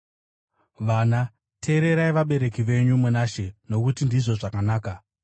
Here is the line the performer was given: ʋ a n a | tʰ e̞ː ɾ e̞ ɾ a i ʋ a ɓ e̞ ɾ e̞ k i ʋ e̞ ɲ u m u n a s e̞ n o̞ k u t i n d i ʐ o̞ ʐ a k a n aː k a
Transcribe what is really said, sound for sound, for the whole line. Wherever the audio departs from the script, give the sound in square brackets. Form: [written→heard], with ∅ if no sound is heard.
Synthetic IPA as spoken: ʋ a n a | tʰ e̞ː ɾ e̞ ɾ a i ʋ a ɓ e̞ ɾ e̞ k i ʋ e̞ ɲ u m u n a [s→ʃ] e̞ n o̞ k u t i n d i ʐ o̞ ʐ a k a n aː k a